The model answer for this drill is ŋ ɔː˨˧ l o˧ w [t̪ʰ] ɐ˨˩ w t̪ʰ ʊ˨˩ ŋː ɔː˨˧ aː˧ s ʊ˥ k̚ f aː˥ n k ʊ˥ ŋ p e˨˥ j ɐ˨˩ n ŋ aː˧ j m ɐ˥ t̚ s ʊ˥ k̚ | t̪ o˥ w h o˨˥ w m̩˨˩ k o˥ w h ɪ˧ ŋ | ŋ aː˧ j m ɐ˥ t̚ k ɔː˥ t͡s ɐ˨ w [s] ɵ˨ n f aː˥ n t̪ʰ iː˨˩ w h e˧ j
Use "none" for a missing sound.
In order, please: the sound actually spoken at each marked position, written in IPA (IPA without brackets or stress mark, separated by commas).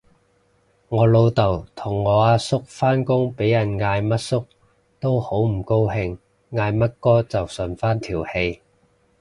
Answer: t̪, s